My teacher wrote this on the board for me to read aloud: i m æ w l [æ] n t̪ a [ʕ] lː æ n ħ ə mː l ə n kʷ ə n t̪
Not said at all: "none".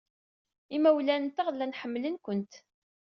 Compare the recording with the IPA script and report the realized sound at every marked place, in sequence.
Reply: æ, ʁ

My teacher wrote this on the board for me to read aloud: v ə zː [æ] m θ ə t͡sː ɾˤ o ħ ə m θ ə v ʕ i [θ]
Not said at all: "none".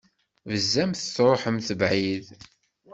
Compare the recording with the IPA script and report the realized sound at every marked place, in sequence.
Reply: æ, ð

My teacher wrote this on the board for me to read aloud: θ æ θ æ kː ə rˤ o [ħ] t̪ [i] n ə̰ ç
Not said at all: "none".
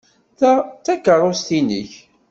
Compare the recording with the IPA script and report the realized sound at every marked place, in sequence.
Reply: s, i

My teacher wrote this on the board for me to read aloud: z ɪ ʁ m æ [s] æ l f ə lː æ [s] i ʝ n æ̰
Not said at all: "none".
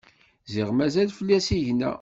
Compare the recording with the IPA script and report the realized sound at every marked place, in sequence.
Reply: z, s

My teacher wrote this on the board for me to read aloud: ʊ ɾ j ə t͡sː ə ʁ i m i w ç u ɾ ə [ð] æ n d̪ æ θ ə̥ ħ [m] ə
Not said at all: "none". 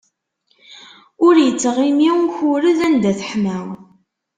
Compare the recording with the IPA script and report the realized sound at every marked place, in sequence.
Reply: ð, m

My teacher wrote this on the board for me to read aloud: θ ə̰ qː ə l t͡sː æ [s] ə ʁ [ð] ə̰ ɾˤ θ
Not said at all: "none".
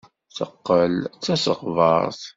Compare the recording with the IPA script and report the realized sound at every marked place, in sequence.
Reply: s, v

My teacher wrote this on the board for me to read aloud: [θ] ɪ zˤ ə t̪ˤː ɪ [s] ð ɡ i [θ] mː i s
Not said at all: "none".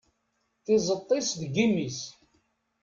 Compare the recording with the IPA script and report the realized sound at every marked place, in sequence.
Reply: θ, s, none

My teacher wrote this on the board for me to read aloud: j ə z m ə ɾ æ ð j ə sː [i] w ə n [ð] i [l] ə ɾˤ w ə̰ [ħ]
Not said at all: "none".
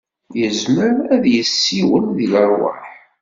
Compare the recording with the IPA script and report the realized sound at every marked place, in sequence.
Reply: i, ð, l, ħ

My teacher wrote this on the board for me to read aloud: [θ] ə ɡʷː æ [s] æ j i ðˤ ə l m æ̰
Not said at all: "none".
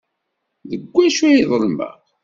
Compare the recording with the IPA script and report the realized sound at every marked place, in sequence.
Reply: ð, ʃ

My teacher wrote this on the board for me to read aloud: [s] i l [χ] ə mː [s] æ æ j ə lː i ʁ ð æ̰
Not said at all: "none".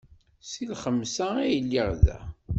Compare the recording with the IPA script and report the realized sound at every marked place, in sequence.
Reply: s, χ, s

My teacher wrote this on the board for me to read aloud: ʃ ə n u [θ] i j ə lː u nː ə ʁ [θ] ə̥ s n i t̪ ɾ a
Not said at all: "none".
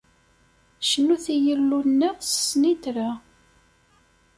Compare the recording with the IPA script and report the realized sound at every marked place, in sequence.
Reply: θ, s

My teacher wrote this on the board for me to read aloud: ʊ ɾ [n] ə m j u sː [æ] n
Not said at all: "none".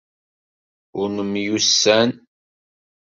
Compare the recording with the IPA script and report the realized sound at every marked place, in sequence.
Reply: n, æ

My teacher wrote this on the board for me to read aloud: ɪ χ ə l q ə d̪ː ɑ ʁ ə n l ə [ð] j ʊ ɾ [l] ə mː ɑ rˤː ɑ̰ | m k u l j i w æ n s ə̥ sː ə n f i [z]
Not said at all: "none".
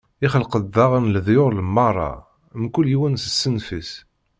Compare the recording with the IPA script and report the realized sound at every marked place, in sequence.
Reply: ð, l, s

